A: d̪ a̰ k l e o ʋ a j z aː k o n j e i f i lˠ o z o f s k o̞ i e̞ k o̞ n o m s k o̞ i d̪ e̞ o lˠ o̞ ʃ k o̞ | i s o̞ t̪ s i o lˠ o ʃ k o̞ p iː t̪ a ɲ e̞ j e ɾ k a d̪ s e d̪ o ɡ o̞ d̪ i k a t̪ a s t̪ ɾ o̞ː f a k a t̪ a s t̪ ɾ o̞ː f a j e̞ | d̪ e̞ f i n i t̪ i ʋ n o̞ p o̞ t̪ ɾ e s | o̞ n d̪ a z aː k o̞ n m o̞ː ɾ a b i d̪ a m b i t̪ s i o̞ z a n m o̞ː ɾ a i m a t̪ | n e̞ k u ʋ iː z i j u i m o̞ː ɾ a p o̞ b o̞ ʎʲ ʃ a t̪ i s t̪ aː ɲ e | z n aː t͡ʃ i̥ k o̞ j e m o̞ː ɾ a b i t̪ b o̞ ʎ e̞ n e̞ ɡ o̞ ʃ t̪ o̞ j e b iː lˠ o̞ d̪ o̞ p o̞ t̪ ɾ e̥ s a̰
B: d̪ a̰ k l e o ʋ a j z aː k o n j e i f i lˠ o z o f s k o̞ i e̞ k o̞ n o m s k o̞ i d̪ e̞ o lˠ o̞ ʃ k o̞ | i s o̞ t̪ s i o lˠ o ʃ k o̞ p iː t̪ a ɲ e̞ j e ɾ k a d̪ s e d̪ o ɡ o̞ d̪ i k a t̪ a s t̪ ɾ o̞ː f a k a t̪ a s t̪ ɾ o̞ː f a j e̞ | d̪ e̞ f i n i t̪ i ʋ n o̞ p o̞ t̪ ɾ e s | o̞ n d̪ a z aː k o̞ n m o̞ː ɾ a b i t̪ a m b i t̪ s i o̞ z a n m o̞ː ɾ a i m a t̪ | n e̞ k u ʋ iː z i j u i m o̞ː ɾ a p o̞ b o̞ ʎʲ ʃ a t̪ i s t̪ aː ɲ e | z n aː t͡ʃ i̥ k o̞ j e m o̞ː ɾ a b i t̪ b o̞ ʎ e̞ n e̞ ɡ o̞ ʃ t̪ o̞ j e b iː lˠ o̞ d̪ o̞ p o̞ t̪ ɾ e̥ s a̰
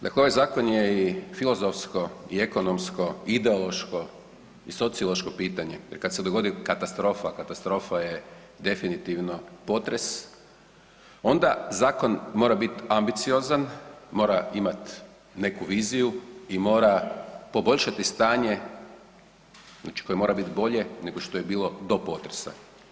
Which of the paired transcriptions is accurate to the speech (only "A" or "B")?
B